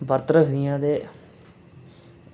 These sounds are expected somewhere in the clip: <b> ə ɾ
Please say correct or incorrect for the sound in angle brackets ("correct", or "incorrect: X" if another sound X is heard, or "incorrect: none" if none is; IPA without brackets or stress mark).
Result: correct